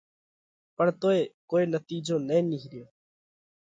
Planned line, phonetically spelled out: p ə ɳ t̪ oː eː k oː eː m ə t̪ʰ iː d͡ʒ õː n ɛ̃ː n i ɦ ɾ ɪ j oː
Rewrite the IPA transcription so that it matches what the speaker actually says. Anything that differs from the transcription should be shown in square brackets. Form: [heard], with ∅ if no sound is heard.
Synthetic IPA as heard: p ə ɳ t̪ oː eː k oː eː [n] ə [t̪] iː d͡ʒ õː n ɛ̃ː n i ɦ ɾ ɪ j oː